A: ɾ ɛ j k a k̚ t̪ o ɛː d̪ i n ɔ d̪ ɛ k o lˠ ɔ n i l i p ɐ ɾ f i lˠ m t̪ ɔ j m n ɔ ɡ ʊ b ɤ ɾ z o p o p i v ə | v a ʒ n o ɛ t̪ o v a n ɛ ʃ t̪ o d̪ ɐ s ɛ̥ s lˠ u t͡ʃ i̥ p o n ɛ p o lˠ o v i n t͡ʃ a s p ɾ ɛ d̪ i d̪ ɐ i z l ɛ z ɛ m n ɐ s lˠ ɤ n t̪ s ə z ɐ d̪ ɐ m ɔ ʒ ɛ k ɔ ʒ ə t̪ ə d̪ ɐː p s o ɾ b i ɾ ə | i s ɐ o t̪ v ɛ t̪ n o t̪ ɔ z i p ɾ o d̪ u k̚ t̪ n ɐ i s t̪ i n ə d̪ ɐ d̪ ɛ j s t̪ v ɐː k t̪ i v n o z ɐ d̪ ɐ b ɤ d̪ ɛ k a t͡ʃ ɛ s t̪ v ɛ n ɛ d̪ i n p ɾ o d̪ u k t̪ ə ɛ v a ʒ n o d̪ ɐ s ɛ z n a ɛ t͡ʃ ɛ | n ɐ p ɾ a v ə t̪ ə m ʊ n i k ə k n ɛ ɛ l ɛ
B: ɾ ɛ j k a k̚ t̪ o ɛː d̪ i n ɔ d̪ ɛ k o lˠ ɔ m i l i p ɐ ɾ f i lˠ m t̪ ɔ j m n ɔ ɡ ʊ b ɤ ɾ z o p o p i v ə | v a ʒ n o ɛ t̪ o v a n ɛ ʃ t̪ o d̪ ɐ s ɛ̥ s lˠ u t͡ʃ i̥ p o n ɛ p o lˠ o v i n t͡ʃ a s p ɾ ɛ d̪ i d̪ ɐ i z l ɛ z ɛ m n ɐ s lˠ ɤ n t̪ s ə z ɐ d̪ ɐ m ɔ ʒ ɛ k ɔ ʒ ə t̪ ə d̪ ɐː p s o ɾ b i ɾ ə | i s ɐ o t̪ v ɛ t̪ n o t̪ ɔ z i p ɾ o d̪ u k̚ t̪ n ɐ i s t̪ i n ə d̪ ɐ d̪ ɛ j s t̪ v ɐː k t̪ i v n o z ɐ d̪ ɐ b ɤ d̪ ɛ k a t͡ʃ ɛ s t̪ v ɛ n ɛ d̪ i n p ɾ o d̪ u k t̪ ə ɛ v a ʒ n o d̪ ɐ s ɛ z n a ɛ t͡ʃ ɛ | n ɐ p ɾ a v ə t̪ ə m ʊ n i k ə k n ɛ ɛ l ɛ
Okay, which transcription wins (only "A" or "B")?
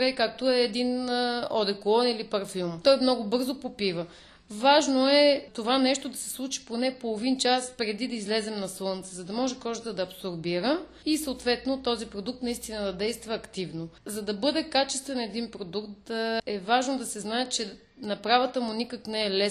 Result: A